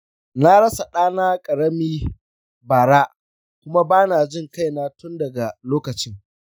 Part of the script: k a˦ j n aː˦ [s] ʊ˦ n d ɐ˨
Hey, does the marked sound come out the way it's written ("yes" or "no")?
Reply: no